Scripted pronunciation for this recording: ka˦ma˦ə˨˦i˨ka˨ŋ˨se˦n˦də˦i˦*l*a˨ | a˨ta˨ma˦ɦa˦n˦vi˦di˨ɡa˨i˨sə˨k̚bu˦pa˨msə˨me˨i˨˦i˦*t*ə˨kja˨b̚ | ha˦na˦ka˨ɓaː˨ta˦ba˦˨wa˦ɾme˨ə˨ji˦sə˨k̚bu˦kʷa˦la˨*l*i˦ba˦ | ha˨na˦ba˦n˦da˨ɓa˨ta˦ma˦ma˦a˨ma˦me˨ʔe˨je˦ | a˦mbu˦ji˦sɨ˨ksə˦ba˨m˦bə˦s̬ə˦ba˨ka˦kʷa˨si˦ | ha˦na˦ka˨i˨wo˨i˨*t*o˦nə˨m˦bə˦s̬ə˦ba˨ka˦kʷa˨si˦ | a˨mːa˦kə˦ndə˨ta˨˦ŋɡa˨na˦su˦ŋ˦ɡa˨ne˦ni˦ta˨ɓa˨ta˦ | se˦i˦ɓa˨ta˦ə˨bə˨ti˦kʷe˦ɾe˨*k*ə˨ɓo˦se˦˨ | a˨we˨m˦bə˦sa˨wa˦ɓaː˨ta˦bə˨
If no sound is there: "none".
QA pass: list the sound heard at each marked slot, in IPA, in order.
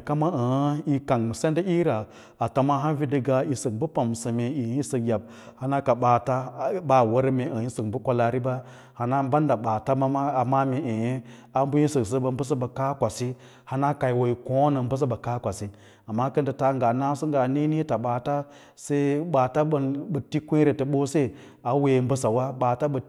ɾ, s, ɾ, k, t

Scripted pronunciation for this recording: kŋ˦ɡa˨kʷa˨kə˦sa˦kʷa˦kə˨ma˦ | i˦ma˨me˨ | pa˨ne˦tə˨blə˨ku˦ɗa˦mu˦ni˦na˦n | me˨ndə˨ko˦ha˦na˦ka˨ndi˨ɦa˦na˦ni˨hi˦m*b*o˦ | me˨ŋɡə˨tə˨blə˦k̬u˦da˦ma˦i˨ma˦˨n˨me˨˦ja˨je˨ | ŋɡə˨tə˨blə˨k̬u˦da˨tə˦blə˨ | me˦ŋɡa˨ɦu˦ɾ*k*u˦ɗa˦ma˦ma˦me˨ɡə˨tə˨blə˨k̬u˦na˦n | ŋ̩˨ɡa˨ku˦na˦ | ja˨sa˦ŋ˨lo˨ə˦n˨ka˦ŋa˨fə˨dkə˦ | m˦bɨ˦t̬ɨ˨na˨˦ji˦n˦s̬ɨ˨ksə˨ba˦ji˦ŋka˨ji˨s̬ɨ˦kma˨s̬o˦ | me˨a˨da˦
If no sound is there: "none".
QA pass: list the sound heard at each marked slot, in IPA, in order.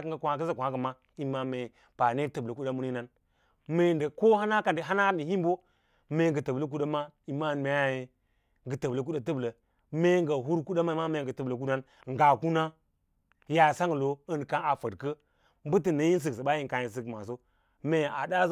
b, k

